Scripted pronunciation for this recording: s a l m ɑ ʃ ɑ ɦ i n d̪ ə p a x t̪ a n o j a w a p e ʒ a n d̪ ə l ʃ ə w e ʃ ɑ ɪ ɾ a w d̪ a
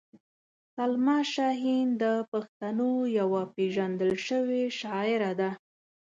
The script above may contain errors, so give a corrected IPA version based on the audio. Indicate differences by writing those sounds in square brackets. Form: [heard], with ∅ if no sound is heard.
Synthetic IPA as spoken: s a l m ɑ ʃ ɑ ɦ i n d̪ ə p a x t̪ a n o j a w a p e ʒ a n d̪ ə l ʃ ə w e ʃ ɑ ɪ ɾ a [∅] d̪ a

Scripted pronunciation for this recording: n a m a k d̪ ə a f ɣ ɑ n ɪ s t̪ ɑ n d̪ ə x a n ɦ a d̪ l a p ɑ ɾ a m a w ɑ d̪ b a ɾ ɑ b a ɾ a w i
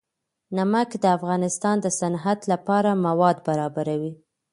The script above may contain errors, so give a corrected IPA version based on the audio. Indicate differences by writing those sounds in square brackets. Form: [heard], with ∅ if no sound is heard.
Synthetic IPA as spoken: n a m a k d̪ ə a f ɣ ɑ n ɪ s t̪ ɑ n d̪ ə [s] a n ɦ a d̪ l a p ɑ ɾ a m a w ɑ d̪ b a ɾ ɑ b a ɾ a w i

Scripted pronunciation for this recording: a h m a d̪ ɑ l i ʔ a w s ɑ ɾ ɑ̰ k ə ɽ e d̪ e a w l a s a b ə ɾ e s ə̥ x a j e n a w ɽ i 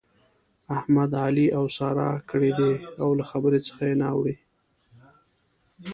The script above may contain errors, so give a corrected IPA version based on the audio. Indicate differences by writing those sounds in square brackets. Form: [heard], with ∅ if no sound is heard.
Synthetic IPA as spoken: a h m a d̪ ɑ l i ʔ a w s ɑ ɾ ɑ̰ k ə ɽ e d̪ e a w l a [x] a b ə ɾ e [t͡s] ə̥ x a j e n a w ɽ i

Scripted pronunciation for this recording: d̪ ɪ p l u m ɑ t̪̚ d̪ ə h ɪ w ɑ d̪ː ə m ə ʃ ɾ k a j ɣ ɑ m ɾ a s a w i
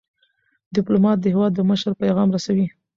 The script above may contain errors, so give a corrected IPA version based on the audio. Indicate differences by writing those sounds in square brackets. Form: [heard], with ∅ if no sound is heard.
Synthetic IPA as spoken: d̪ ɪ p l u m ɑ t̪̚ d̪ ə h ɪ w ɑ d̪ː ə m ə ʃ ɾ [p] a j ɣ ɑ m ɾ a s a w i

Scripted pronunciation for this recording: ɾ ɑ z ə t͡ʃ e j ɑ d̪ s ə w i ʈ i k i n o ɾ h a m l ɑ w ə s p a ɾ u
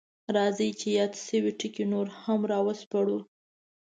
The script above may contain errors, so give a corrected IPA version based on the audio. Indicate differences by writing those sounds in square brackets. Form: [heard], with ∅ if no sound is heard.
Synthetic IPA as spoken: ɾ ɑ z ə t͡ʃ e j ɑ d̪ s ə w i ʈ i k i n o ɾ h a m [ɾ] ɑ w ə s p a [ɽ] u

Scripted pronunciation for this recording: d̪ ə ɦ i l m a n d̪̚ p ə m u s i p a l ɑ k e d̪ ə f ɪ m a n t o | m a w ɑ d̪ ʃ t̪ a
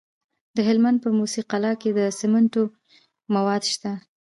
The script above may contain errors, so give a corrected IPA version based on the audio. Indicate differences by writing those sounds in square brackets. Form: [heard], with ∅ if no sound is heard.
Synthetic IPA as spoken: d̪ ə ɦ [ɪ] l m a n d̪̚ p ə m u s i [q] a l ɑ k e d̪ ə [s] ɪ m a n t o | m a w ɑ d̪ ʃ t̪ a

